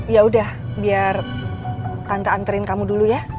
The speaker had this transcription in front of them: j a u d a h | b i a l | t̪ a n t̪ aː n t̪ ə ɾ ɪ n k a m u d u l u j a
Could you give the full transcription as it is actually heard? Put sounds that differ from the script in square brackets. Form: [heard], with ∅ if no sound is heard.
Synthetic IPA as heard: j a u d a h | b i a [r] | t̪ a n t̪ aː n t̪ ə ɾ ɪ n k a m u d u l u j a

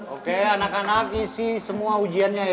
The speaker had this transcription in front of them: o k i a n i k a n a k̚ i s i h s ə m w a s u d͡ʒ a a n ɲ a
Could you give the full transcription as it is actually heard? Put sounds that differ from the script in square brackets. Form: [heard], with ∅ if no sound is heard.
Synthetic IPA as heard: o k [e] a n [a] k a n a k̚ i s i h s ə m [u] a [∅] u d͡ʒ [i] a n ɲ a

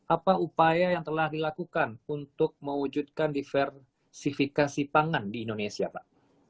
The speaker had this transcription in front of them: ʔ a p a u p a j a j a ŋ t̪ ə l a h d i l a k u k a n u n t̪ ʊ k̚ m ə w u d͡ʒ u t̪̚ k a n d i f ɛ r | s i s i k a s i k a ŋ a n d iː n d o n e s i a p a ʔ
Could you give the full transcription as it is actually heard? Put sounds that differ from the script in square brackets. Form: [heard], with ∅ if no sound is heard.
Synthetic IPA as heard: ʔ a p a u p a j a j a ŋ t̪ ə l a h d i l a k u k a n u n t̪ ʊ k̚ m ə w u d͡ʒ u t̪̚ k a n d i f ɛ r | s i [f] i k a s i [p] a ŋ a n d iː n d o n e s i a p a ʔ

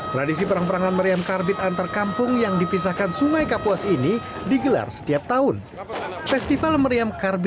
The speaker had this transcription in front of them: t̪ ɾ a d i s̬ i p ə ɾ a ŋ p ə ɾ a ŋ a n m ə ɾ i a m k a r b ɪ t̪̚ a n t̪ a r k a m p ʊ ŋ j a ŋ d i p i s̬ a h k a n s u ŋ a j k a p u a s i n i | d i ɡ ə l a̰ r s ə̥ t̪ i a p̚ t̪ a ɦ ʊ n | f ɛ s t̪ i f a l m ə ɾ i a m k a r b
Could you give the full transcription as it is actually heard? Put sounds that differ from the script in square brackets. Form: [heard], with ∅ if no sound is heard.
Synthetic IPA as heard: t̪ ɾ a d i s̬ i p ə ɾ a ŋ p ə ɾ a ŋ a n m ə ɾ i a m k a r b ɪ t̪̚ a n t̪ a r k a m p ʊ ŋ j a ŋ d i p i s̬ a h k a n s u ŋ a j k a p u a s i n i | d i ɡ ə l a̰ r s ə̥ t̪ i a p̚ t̪ a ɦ ʊ n | f ɛ s t̪ i f a l m ə ɾ i a m k a r b

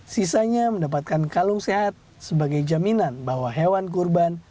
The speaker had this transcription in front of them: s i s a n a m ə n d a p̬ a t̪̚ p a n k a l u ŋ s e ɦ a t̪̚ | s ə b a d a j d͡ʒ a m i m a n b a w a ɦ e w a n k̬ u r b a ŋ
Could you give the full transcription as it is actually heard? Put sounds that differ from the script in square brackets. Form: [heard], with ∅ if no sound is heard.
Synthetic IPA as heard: s i s a [ɲ] a m ə n d a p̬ a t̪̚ [k] a n k a l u ŋ s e ɦ a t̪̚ | s ə b a [ɡ] a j d͡ʒ a m i [n] a n b a w a ɦ e w a n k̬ u r b a [n]

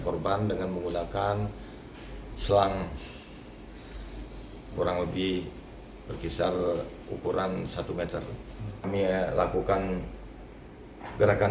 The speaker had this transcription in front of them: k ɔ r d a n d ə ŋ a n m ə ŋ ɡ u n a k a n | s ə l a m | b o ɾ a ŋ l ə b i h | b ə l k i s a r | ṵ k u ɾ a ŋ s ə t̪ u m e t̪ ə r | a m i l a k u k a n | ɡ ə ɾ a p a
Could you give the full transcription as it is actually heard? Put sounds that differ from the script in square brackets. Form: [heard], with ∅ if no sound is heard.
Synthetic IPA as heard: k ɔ r [b] a n d ə ŋ a n m ə ŋ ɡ u n a k a n | s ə l a [ŋ] | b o ɾ a ŋ l ə b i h | b ə [r] k i s a r | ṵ k u ɾ a [n] s [a] t̪ u m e t̪ ə r | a m i l a k u k a n | ɡ ə ɾ a [k] a

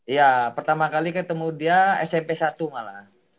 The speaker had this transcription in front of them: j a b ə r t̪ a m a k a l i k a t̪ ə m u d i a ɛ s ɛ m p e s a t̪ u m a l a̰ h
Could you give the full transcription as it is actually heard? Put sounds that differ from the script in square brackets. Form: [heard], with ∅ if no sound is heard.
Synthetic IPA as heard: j a [p] ə r t̪ a m a k a l i k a t̪ ə m u d i a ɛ s ɛ m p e s a t̪ u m a l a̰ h

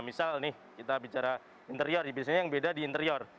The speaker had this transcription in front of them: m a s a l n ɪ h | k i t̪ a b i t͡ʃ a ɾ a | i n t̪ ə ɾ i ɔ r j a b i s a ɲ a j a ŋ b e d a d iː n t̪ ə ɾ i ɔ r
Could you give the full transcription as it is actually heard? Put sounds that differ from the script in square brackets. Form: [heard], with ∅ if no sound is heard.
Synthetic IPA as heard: m [i] s a l n ɪ h | k i t̪ a b i t͡ʃ a ɾ a | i n t̪ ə ɾ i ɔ r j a b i s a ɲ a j a ŋ b e d a d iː n t̪ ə ɾ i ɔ r

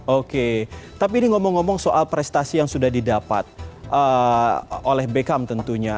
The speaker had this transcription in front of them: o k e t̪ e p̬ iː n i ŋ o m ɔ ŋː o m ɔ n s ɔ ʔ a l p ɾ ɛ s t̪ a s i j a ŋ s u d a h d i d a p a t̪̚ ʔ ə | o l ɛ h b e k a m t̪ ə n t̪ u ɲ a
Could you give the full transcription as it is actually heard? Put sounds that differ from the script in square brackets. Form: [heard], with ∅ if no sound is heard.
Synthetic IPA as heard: o k e t̪ [a] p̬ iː n i ŋ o m ɔ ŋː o m ɔ [ŋ] s [o] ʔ a l p ɾ ɛ s t̪ a s i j a ŋ s u d a h d i d a p a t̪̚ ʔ ə | o l ɛ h b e k a m t̪ ə n t̪ u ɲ a

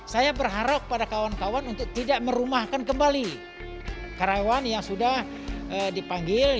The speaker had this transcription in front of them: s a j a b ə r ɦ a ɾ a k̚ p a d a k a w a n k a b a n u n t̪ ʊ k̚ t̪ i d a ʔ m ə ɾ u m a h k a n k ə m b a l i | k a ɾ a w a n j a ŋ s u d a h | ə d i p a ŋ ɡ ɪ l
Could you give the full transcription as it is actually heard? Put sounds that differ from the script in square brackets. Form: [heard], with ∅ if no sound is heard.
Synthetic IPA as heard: s a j a b ə r ɦ a ɾ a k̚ p a d a k a w a n k a [w] a n u n t̪ ʊ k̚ t̪ i d a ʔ m ə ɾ u m a h k a n k ə m b a l i | k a ɾ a w a n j a ŋ s u d a h | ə d i p a ŋ ɡ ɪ l

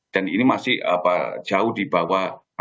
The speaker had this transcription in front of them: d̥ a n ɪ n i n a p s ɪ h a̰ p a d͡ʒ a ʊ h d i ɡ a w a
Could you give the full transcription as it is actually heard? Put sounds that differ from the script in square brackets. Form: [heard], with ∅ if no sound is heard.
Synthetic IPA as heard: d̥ a n [i] n i [m] a [∅] s ɪ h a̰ p a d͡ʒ a ʊ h d i [b] a w a

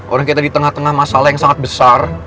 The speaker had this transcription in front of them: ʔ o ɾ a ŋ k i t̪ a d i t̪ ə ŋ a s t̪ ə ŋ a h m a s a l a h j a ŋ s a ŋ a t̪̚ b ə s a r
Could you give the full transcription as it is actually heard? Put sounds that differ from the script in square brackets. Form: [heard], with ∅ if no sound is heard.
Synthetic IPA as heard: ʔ o ɾ a ŋ k i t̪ a d i t̪ ə ŋ a [h] t̪ ə ŋ a h m a s a l a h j a ŋ s a ŋ a t̪̚ b ə s a r

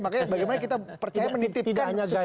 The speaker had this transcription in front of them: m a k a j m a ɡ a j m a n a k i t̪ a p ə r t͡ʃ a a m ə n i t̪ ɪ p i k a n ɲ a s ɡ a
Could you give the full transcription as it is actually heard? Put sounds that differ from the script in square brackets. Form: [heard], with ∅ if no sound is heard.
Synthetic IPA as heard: m a k a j [b] a ɡ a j m a n a k i t̪ a p ə r t͡ʃ a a m ə n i t̪ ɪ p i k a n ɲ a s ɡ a

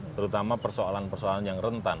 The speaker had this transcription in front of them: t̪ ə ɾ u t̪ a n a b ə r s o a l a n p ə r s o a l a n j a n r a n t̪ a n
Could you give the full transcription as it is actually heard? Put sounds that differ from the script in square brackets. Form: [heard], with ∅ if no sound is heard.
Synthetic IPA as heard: t̪ ə ɾ u t̪ a [m] a [p] ə r s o a l a n p ə r s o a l a n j a [ŋ] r [ə] n t̪ a n

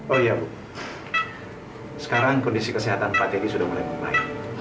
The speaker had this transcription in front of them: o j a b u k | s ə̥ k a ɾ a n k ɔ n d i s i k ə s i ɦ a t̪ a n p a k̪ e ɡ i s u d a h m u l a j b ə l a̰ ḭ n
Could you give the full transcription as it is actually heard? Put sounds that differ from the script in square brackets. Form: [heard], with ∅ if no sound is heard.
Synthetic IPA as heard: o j a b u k | s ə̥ k a ɾ a [ŋ] k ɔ n d i s i k ə s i ɦ a t̪ a n p a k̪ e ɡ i s u d a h m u l a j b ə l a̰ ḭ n

